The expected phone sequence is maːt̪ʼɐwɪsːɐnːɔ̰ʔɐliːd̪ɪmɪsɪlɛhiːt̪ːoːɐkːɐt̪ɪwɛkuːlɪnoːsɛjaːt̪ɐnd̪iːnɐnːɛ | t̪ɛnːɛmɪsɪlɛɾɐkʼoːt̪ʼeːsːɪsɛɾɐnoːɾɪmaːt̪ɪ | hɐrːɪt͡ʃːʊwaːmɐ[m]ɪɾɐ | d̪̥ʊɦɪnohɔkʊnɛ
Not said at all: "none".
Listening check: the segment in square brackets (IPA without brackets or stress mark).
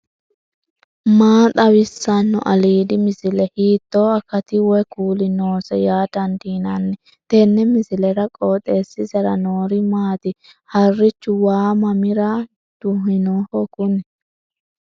m